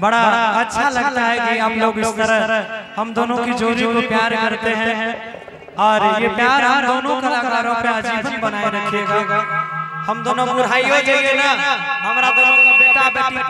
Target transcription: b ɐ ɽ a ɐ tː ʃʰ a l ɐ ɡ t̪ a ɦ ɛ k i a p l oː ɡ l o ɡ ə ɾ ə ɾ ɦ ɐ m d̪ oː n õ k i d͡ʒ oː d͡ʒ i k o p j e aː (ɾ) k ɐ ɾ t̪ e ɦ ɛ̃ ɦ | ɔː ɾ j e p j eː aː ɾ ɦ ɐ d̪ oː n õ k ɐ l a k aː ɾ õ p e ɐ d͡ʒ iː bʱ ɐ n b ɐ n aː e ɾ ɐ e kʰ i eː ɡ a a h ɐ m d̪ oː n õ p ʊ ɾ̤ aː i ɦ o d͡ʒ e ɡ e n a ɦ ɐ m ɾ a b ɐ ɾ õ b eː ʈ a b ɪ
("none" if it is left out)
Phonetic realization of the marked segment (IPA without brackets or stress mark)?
ɾ